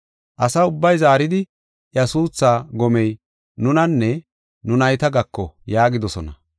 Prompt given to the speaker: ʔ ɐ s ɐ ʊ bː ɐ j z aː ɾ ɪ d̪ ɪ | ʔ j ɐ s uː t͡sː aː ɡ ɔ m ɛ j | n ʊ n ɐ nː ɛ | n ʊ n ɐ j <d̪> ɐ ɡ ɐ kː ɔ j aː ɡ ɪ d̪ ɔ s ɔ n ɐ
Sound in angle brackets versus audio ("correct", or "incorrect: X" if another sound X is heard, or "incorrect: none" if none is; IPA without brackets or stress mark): incorrect: t̪